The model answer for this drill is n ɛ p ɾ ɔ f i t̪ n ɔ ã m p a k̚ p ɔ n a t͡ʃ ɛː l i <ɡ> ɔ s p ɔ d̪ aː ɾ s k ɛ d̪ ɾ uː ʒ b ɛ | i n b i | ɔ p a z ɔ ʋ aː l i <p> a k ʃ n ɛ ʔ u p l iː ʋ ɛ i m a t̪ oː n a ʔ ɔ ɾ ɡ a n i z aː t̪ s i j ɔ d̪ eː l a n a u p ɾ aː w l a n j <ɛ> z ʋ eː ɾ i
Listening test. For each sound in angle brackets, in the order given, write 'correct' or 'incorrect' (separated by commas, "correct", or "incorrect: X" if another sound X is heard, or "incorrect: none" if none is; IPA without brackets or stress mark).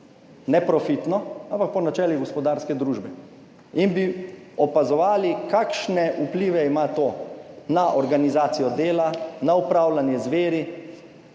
correct, incorrect: k, correct